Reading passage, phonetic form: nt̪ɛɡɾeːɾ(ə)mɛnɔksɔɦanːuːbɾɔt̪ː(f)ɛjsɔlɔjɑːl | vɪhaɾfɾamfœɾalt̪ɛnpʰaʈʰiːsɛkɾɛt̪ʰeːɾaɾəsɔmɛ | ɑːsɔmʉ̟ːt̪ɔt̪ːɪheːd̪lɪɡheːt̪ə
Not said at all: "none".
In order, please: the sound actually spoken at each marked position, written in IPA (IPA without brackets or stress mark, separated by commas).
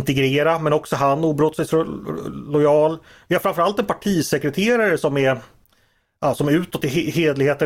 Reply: a, s